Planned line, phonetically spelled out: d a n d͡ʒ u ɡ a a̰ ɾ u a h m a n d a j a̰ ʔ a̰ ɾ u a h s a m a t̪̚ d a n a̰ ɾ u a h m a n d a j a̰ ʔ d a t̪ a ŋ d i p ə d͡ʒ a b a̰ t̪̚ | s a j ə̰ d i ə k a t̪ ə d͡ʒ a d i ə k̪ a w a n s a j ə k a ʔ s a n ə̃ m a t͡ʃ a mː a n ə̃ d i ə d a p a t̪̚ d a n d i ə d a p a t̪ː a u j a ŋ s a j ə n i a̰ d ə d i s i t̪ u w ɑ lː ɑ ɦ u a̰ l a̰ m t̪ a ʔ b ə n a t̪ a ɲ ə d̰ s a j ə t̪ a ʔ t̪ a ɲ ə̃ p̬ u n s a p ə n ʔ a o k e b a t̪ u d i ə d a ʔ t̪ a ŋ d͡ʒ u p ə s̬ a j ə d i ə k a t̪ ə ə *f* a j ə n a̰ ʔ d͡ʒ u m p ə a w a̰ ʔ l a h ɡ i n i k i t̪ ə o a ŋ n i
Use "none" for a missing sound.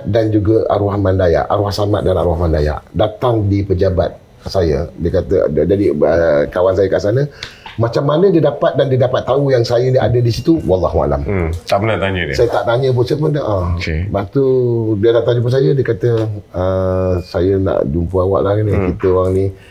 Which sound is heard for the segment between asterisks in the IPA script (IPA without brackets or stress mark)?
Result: s